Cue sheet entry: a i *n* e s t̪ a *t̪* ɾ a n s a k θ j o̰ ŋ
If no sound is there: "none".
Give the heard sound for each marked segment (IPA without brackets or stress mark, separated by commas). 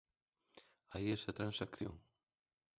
none, t̪